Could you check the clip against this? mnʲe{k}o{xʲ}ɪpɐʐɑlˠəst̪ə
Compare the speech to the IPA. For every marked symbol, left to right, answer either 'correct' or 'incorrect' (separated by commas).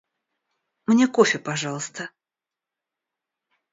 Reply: correct, incorrect